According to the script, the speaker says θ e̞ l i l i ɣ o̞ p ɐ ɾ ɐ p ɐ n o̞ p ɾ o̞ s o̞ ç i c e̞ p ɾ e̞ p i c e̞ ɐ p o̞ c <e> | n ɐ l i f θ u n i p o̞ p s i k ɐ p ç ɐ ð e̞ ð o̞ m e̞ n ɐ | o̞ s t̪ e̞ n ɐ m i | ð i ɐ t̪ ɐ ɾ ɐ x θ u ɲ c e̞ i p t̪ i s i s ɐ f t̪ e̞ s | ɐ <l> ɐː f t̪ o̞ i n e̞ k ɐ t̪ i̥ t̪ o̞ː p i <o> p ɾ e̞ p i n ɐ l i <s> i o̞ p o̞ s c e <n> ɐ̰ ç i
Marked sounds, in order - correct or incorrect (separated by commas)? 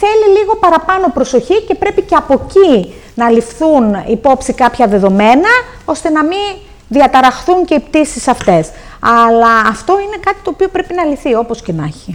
incorrect, correct, correct, incorrect, correct